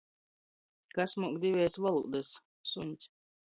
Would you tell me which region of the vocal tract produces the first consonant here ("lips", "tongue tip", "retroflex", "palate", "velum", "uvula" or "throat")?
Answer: velum